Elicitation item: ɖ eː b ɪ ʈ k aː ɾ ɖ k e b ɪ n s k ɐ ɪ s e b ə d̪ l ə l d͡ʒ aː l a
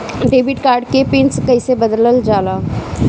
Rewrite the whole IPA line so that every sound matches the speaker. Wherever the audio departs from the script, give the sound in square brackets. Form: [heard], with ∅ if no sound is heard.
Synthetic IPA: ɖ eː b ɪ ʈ k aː ɾ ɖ k e [p] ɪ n s k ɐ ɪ s e b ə d̪ l ə l d͡ʒ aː l a